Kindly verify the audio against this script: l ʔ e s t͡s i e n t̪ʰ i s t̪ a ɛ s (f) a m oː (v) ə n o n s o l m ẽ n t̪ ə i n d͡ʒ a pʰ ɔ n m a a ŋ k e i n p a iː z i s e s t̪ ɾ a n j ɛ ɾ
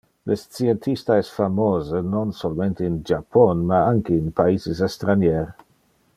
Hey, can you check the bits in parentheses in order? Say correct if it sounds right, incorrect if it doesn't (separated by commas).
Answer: correct, incorrect